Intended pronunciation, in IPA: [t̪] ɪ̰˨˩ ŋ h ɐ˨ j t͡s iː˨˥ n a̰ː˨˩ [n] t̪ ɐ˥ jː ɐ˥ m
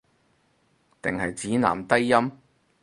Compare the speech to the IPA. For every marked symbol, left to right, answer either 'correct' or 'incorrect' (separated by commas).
correct, incorrect